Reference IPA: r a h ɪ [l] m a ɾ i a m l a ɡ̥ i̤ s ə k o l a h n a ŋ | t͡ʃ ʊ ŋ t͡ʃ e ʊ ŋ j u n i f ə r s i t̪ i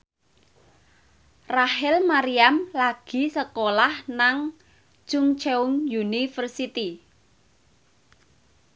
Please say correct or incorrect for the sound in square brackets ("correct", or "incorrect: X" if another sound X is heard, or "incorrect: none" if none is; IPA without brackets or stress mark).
correct